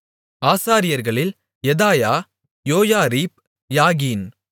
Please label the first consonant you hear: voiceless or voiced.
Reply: voiceless